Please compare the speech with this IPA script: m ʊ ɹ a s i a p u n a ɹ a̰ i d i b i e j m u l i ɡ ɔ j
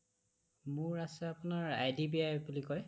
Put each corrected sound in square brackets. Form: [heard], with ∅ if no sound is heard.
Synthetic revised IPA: m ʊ ɹ a s [ɛ] a p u n a ɹ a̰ [j] d i b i [a] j [b] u l i [k] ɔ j